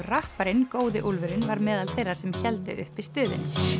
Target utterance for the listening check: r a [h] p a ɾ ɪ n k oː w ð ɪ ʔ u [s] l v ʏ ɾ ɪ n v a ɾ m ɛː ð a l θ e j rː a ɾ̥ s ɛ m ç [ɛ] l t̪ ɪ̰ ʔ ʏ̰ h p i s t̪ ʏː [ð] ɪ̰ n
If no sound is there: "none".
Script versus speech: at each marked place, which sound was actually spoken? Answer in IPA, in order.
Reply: h, none, ɛ, ð

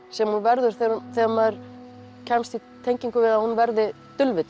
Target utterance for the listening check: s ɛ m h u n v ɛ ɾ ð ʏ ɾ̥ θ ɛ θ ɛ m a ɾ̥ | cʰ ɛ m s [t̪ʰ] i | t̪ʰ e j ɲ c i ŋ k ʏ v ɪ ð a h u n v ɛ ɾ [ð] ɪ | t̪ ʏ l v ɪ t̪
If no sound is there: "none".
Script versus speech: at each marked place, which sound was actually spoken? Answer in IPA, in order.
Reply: t̪, ð

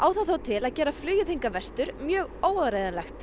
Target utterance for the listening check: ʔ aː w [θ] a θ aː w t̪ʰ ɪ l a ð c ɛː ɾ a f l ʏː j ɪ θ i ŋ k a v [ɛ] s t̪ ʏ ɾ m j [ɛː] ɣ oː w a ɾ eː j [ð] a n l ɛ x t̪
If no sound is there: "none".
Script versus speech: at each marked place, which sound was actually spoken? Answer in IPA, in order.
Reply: θ, ɛ, œː, ð

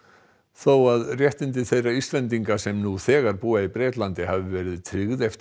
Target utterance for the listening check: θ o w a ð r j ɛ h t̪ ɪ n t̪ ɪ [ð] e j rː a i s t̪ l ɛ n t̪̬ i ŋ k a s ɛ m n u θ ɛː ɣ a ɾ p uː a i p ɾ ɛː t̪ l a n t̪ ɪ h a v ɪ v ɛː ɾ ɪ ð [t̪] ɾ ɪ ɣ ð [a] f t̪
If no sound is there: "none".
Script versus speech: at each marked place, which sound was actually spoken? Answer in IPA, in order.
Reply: θ, t̪ʰ, ɛ

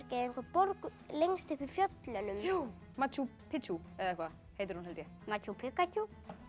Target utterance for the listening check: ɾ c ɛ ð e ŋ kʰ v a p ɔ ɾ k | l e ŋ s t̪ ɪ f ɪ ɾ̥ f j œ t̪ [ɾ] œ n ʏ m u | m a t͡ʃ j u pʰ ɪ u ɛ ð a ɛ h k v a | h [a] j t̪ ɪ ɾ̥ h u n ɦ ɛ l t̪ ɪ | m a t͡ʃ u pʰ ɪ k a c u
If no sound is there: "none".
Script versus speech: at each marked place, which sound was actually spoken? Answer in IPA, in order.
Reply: l, e

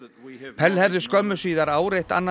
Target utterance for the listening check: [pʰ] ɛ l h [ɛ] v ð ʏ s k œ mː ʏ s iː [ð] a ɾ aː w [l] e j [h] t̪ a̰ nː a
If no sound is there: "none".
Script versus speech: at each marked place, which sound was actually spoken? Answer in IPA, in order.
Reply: pʰ, ɛ, ð, ɾ, h

